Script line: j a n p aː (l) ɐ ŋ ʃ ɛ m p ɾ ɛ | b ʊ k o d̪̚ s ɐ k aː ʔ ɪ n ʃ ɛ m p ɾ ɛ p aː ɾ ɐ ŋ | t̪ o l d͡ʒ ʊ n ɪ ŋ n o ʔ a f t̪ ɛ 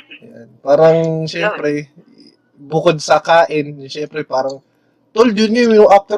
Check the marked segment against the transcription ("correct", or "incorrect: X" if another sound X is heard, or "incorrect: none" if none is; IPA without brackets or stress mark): incorrect: ɾ